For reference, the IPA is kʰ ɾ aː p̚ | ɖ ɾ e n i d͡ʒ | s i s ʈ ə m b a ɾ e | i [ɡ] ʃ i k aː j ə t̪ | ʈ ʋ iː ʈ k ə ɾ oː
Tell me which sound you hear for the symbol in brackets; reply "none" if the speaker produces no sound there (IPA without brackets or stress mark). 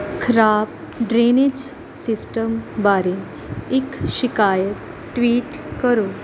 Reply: k